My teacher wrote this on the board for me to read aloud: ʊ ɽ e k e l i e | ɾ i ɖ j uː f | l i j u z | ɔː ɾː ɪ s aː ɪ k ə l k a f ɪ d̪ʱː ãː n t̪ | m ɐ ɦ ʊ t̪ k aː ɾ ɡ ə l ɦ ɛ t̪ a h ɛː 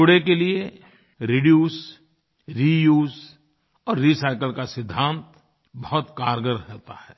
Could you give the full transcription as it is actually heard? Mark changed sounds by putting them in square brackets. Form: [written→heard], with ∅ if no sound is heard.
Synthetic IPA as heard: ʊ ɽ e k e l i e | ɾ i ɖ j uː [f→s] | [l→ɾ] i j [u→uː] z | ɔː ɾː [ɪ→i] s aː ɪ k ə l k a [f→s] ɪ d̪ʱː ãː n t̪ | [m→b] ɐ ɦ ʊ t̪ k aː ɾ ɡ ə [l→ɾ] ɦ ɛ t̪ a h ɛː